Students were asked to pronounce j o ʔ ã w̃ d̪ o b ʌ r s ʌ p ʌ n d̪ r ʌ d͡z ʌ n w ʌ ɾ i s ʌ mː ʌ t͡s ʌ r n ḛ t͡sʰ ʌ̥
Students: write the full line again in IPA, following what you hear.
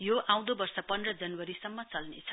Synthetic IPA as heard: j o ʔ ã w̃ d̪ o b ʌ r s ʌ p ʌ n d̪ r ʌ d͡z ʌ n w ʌ ɾ i s ʌ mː ʌ t͡s ʌ l n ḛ t͡sʰ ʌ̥